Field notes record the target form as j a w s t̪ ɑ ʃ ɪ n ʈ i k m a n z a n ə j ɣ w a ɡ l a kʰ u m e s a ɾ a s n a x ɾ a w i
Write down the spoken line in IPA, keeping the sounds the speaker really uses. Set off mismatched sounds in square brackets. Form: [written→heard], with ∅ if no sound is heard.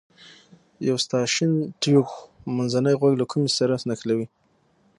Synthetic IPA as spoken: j a w s t̪ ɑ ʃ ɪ n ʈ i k m a n z a n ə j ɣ w a ɡ l a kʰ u m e s a ɾ a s n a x [ɾ→l] a w i